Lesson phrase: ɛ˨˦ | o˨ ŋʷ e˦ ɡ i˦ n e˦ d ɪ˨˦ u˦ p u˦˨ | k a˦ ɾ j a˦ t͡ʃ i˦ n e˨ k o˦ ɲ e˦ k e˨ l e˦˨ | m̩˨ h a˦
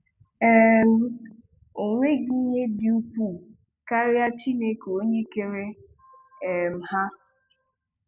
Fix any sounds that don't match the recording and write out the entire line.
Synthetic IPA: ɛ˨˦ | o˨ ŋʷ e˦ ɡ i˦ ɲ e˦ d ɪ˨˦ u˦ p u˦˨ | k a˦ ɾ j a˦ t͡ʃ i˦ n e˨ k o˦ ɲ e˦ k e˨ ɾ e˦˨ | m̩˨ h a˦